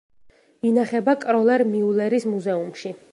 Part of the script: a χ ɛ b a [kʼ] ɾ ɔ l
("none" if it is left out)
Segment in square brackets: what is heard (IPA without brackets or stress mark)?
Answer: kʼ